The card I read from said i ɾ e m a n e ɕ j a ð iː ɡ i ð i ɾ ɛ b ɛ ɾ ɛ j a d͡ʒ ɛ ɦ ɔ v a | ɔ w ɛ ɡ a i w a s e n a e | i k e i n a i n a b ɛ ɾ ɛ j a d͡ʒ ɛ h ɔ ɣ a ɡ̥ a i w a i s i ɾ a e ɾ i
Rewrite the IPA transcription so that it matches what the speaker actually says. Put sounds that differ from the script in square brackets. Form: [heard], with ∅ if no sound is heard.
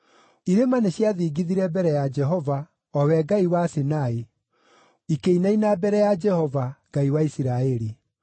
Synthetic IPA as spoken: i ɾ e m a n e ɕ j a ð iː ɡ i ð i ɾ ɛ b ɛ ɾ ɛ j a d͡ʒ ɛ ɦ ɔ v a | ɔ w ɛ ɡ a i w a s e n a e | i k e i n a i n a b ɛ ɾ ɛ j a d͡ʒ ɛ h ɔ [v] a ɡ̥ a i w a i s i ɾ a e ɾ i